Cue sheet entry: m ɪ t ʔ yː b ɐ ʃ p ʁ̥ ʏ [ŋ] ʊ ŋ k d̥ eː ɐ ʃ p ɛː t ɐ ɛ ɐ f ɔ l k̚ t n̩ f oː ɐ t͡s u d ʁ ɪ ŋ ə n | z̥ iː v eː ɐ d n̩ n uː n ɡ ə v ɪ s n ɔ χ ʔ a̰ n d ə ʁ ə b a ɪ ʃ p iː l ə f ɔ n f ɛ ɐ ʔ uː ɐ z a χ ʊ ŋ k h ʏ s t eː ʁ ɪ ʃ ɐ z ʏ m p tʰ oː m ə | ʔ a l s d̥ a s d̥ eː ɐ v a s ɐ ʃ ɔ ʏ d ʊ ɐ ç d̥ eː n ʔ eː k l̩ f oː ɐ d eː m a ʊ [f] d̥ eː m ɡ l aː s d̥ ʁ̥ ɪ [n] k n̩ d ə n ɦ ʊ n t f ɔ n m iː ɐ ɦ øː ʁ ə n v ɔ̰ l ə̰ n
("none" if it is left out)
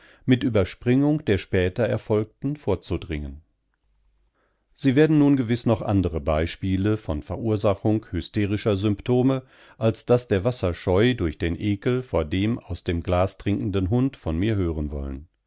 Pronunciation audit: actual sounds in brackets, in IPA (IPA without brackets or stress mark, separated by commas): ŋ, s, ŋ